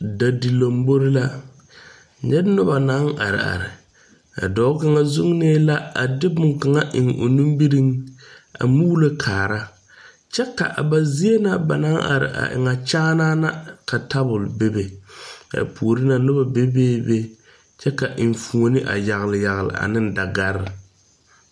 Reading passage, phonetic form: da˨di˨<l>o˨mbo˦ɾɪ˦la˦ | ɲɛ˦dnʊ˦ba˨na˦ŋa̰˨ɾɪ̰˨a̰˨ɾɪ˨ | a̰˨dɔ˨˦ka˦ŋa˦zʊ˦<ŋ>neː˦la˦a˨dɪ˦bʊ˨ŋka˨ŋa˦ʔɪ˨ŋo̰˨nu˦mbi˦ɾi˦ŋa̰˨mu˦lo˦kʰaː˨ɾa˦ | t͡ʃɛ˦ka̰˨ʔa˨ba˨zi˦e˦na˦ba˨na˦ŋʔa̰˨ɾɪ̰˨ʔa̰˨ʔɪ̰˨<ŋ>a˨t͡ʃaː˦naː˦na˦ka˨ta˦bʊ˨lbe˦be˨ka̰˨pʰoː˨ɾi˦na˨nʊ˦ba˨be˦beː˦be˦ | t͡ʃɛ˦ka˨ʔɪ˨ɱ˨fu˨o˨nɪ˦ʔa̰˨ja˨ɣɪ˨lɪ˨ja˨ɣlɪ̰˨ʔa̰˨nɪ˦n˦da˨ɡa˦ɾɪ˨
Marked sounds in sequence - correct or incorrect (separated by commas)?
correct, correct, correct